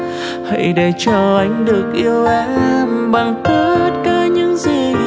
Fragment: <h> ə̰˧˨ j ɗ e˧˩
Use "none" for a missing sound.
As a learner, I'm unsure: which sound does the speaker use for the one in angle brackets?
h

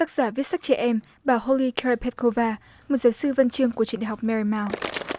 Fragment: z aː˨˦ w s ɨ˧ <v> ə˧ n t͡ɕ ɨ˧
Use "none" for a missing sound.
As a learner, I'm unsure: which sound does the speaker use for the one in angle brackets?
v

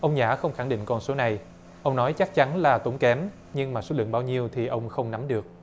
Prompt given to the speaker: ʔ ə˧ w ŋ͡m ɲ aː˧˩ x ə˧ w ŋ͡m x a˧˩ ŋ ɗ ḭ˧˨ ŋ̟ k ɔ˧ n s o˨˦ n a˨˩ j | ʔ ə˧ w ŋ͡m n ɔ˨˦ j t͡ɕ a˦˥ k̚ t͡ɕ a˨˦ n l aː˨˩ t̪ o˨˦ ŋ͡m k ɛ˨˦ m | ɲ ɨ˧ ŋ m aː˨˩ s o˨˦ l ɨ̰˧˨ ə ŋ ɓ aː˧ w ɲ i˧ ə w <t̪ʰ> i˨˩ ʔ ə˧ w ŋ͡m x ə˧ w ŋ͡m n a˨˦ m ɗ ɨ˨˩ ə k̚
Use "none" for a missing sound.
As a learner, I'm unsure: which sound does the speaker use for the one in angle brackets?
t̪ʰ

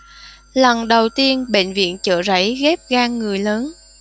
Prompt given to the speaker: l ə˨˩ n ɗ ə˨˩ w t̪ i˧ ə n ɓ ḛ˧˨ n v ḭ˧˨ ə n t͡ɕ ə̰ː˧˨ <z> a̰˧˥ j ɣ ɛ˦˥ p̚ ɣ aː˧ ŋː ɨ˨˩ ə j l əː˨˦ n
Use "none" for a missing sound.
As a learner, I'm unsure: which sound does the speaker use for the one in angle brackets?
z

